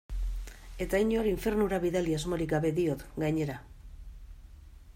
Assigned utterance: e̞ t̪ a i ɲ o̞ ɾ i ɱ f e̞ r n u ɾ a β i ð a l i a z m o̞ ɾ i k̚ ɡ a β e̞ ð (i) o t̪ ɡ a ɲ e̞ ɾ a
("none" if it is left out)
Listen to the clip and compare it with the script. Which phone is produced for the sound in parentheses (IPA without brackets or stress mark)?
i